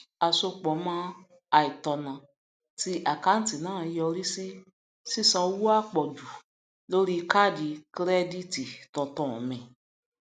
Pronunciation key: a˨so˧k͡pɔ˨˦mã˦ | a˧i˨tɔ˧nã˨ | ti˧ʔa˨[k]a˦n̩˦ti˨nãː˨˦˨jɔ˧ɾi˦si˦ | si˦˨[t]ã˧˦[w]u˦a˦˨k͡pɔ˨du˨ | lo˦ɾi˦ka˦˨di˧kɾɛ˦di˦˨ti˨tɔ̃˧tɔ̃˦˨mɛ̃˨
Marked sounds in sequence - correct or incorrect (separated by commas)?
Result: correct, incorrect, correct